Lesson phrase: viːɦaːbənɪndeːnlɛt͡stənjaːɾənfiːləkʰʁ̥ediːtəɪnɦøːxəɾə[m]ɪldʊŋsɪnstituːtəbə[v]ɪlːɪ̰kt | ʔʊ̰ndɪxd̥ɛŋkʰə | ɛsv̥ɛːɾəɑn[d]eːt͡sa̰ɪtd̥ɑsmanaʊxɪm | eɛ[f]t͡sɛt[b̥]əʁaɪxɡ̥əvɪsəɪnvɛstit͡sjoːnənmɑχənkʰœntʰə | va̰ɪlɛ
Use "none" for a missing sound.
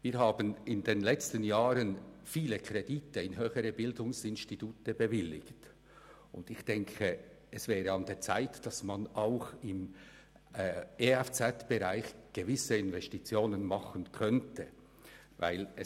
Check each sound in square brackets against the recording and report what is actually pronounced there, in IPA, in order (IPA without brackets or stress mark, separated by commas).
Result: b, v, d, f, b̥